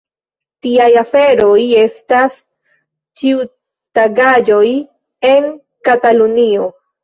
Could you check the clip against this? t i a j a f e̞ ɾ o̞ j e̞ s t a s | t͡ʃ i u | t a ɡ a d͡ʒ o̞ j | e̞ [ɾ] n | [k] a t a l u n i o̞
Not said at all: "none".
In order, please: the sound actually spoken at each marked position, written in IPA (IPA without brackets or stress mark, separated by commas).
none, k